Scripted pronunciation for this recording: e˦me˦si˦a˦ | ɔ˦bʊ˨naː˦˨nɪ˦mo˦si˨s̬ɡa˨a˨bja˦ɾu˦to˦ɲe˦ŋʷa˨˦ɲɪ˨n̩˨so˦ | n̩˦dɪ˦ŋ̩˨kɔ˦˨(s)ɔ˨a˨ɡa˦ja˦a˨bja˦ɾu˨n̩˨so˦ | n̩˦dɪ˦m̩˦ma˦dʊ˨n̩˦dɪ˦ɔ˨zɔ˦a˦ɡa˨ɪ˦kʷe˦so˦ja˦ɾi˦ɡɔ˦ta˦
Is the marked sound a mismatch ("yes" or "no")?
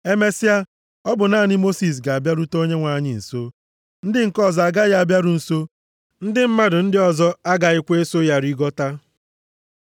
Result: yes